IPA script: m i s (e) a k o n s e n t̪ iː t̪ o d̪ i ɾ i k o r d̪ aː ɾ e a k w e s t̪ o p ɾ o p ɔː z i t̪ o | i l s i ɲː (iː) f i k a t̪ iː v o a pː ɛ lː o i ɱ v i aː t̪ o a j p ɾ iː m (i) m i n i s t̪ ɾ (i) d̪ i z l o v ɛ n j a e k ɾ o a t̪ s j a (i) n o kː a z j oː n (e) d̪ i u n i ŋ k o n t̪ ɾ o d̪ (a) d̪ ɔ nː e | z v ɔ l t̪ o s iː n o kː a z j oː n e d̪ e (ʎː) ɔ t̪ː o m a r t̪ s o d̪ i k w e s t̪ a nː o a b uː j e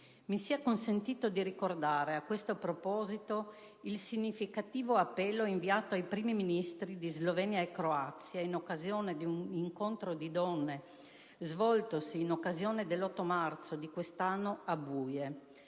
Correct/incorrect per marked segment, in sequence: incorrect: i, incorrect: i, correct, correct, correct, correct, incorrect: i, incorrect: lː

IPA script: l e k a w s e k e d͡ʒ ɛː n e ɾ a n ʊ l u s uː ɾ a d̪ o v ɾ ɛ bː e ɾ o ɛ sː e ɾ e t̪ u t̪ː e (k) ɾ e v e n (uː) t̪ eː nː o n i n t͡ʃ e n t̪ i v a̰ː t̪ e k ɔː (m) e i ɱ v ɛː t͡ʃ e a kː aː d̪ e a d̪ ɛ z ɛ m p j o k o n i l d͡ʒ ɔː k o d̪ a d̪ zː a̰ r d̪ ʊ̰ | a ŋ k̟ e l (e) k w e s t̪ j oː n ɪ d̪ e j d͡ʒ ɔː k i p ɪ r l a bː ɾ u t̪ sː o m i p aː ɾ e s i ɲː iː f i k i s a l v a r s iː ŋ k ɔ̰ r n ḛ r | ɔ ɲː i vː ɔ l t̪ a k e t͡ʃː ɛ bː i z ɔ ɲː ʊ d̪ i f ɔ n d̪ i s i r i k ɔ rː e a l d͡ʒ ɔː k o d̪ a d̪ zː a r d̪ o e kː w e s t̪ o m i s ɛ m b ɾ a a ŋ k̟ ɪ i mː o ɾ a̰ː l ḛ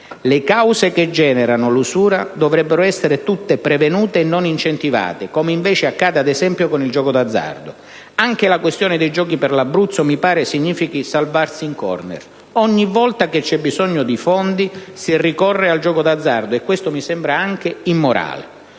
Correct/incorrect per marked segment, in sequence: incorrect: p, correct, correct, incorrect: a

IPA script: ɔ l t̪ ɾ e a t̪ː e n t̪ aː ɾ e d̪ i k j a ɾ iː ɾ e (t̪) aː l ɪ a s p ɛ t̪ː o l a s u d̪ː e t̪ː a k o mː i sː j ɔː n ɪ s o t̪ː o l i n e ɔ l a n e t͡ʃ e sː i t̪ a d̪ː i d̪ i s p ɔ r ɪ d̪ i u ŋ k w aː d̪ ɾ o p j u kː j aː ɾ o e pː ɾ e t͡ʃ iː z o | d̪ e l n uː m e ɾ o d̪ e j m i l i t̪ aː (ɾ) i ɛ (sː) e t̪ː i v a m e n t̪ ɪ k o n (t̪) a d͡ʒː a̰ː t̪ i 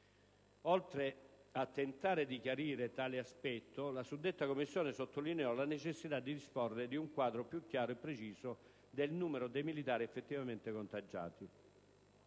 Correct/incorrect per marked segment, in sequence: correct, correct, incorrect: fː, correct

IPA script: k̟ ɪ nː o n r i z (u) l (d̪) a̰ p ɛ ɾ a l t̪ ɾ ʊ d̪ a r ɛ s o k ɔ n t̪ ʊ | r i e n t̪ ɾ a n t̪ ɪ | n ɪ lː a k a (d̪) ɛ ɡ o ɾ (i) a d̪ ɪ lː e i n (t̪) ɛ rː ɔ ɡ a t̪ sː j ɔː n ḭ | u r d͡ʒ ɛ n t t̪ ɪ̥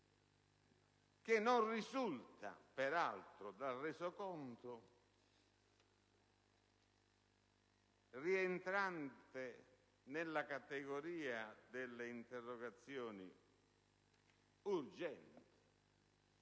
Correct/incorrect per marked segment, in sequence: correct, incorrect: t̪, incorrect: t̪, incorrect: iː, correct

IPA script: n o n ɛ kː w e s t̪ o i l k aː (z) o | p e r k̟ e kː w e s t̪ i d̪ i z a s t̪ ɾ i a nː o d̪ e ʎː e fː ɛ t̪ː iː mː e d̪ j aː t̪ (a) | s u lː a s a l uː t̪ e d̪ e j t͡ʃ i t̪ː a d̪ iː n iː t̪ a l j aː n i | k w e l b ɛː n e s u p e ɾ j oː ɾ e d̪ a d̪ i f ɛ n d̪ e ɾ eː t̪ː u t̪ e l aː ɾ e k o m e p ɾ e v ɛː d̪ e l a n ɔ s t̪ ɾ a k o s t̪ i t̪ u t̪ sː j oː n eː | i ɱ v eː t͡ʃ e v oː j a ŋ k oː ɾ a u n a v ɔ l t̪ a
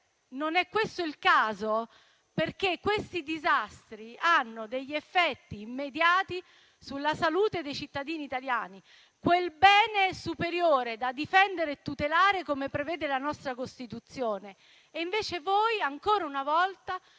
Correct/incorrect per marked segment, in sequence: correct, incorrect: i

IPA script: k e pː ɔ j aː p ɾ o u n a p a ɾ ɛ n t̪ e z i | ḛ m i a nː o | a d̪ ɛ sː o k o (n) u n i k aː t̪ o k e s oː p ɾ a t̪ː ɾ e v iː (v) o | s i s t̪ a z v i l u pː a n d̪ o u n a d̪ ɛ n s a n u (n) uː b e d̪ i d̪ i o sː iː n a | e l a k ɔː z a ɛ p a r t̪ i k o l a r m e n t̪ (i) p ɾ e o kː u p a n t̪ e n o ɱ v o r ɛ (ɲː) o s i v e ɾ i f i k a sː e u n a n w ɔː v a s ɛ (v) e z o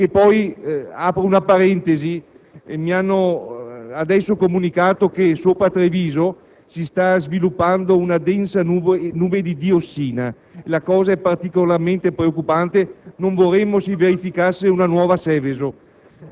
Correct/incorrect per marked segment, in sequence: incorrect: m, incorrect: z, correct, incorrect: e, incorrect: mː, correct

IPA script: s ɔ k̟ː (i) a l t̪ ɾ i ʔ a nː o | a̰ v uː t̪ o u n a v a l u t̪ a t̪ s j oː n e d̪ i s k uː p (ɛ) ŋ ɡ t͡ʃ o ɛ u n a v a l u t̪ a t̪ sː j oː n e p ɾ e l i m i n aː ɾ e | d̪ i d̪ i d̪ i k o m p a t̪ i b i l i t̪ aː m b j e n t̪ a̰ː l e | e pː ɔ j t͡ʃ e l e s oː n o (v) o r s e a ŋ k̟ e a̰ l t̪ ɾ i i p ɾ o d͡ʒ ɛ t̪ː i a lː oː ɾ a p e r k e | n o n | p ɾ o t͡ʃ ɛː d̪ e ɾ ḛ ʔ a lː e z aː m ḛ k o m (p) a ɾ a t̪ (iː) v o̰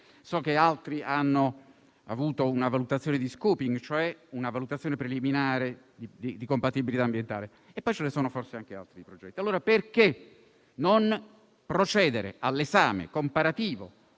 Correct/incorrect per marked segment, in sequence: incorrect: e, incorrect: i, incorrect: f, correct, correct

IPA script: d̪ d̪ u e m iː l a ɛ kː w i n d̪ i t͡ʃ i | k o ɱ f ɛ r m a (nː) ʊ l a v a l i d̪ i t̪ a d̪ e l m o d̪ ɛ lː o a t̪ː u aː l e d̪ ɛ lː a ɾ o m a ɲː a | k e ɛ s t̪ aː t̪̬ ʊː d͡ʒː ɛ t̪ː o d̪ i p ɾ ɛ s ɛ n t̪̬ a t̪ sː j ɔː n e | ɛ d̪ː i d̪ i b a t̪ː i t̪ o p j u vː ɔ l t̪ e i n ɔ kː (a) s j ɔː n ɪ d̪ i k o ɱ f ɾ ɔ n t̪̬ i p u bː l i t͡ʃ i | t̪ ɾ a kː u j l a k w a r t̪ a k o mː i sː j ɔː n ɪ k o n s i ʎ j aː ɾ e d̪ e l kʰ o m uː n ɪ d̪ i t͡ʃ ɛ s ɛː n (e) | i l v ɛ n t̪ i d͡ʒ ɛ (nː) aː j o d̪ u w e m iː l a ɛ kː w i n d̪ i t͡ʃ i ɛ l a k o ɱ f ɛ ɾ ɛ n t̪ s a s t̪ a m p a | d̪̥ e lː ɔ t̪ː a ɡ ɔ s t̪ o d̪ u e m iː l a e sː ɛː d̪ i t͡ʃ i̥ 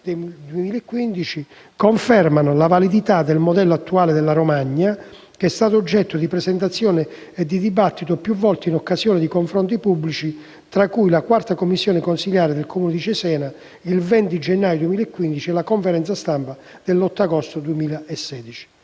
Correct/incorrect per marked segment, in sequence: incorrect: n, correct, incorrect: a, correct

